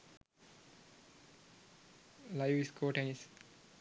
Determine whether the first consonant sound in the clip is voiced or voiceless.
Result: voiced